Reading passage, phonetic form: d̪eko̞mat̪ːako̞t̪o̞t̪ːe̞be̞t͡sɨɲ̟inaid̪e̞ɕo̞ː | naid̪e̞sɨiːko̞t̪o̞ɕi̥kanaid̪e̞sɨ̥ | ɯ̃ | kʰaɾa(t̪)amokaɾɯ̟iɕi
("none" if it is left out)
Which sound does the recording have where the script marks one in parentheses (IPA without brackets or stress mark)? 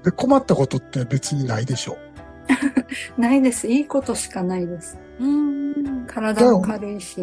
d̪